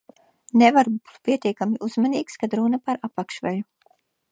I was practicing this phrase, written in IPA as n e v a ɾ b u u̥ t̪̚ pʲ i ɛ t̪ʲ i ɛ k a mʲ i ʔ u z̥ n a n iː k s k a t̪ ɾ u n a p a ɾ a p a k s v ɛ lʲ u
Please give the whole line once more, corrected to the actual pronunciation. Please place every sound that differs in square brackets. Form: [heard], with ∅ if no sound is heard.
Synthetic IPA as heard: n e v a ɾ b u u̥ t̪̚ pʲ i ɛ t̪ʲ i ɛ k a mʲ i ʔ u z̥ [m] a n iː k s k a [d̪] ɾ u n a p a ɾ a p a k [ʃ] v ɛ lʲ u